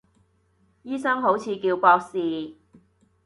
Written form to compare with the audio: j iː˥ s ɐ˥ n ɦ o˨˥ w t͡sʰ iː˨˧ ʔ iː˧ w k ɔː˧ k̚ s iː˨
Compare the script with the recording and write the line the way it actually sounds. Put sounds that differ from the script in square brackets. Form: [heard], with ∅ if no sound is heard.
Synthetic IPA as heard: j iː˥ s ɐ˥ [ŋ] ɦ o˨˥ w t͡sʰ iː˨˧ [k] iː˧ w k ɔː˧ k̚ s iː˨